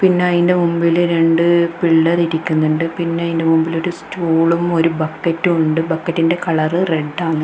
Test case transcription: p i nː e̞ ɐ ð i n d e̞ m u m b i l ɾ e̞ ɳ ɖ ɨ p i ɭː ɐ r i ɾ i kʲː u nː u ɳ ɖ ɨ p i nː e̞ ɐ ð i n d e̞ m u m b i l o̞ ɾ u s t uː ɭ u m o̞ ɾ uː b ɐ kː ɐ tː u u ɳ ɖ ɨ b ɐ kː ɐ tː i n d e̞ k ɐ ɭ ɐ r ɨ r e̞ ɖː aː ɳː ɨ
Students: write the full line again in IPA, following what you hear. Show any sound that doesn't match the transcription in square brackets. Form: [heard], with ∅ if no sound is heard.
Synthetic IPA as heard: p i nː e̞ ɐ ð i n d e̞ m u m b i l ɾ e̞ ɳ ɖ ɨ p i ɭː ɐ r i ɾ i kʲː u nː u ɳ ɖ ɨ p i nː e̞ ɐ ð i n d e̞ m u m b i l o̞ ɾ u s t uː ɭ u m o̞ ɾ [u] b ɐ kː ɐ tː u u ɳ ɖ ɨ b ɐ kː ɐ tː i n d e̞ k ɐ ɭ ɐ r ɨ r e̞ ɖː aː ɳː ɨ